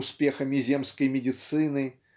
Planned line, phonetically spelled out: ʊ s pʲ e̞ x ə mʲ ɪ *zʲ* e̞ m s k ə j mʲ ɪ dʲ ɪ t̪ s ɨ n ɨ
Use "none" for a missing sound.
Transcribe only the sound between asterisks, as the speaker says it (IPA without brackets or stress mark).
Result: zʲ